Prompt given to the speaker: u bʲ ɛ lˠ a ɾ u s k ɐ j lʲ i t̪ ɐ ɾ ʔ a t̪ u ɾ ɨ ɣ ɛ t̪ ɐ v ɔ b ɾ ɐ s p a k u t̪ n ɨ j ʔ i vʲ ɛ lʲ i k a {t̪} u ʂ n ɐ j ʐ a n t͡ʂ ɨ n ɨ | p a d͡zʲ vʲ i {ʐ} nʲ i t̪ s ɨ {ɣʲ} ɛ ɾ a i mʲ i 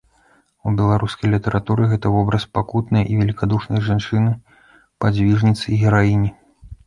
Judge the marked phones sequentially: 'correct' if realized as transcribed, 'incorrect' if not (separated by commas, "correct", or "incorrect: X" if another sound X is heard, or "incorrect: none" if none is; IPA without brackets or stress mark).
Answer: incorrect: d̪, correct, correct